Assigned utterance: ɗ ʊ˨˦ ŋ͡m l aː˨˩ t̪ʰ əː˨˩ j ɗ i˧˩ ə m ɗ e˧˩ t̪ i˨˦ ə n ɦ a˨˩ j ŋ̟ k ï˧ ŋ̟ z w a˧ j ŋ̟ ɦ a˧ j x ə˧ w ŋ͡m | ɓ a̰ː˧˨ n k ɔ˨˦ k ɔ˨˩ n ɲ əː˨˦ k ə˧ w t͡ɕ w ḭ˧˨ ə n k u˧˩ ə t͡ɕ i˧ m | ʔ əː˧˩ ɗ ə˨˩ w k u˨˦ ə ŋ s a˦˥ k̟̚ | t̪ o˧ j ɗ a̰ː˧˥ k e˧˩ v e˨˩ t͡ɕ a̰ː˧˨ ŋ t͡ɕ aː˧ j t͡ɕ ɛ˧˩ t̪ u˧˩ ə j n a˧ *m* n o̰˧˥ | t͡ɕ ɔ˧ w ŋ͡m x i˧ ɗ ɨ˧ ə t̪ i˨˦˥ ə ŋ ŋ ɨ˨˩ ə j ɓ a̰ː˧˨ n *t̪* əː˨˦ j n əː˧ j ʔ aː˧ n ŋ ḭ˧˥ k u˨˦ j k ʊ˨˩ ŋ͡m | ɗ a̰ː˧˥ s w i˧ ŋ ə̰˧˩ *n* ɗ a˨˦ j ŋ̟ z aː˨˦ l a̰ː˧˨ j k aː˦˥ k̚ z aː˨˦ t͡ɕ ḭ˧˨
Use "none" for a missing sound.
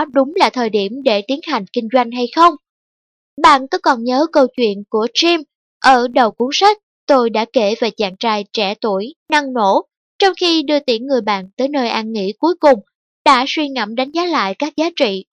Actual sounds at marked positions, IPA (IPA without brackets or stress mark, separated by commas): ŋ, t̪, m